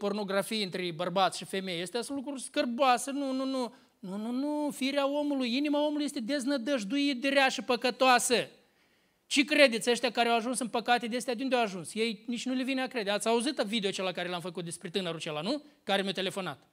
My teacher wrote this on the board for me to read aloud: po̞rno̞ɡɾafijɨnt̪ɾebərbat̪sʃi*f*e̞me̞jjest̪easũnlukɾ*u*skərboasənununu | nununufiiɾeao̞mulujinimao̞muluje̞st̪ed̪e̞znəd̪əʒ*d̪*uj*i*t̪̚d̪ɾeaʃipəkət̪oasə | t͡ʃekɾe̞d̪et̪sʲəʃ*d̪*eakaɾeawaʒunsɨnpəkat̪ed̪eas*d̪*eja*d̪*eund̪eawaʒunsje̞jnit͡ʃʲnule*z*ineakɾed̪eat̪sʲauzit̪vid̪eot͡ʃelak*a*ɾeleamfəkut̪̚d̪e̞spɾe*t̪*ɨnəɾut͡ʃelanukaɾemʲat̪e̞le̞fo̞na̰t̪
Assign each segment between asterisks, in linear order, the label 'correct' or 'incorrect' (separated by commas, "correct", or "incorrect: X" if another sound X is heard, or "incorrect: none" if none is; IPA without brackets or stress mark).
correct, correct, correct, correct, incorrect: t̪, incorrect: t̪, correct, incorrect: v, correct, correct